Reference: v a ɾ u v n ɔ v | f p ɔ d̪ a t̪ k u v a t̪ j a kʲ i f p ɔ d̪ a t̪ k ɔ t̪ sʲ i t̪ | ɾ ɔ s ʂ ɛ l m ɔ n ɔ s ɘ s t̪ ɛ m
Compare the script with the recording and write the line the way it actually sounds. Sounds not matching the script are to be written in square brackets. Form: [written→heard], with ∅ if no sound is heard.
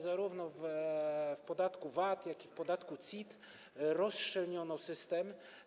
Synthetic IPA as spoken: [v→z] a ɾ u v n ɔ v | f p ɔ d̪ a t̪ k u v a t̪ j a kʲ i f p ɔ d̪ a t̪ k [ɔ→u] t̪ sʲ i t̪ | ɾ ɔ s ʂ ɛ l [m→ɲ] ɔ n ɔ s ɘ s t̪ ɛ m

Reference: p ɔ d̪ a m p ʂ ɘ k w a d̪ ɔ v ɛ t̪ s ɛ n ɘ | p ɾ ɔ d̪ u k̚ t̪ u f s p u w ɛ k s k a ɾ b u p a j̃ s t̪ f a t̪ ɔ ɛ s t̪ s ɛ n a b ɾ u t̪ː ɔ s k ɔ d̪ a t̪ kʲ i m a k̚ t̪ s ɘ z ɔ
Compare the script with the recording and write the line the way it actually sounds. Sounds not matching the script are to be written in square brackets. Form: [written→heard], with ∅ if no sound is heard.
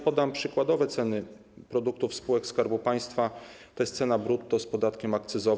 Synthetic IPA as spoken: p ɔ d̪ a m p ʂ ɘ k w a d̪ ɔ v ɛ t̪ s ɛ n ɘ | p ɾ ɔ d̪ u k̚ t̪ u f s p u w ɛ k s k a ɾ b u p a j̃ s t̪ f a t̪ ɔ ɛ s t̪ s ɛ n a b ɾ u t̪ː ɔ s [k→p] ɔ d̪ a t̪ kʲ [i→ɛ] m a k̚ t̪ s ɘ z ɔ

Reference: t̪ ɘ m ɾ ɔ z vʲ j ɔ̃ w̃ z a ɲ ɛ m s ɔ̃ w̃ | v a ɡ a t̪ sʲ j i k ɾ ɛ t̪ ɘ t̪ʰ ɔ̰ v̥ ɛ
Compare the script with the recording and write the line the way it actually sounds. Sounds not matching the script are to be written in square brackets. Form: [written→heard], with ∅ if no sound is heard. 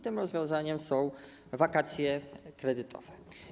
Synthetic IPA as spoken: t̪ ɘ m ɾ ɔ z vʲ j ɔ̃ w̃ z a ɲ ɛ m s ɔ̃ w̃ | v a [ɡ→k] a t̪ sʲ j [i→ɛ] k ɾ ɛ [t̪→d̪] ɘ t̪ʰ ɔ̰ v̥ ɛ

